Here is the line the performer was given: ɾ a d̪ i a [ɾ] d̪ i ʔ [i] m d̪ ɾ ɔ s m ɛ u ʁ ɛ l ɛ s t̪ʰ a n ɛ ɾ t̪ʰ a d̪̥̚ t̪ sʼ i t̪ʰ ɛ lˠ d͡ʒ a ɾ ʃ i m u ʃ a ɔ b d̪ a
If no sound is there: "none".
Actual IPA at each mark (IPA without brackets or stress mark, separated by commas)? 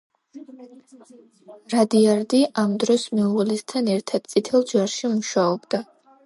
ɾ, a